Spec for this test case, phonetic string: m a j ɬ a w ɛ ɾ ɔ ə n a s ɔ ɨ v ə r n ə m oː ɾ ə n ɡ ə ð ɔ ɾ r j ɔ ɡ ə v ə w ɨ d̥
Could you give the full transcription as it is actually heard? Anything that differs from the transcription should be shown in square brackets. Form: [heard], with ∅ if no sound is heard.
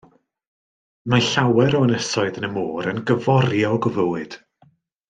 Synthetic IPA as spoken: m a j ɬ a w ɛ ɾ ɔ ə n [ə] s ɔ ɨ [ð] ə [∅] n ə m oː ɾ ə n ɡ ə [v] ɔ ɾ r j ɔ ɡ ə v ə w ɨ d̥